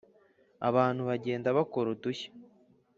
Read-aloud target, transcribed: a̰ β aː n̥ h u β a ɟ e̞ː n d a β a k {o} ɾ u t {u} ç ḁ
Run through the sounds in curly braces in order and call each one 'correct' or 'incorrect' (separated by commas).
correct, correct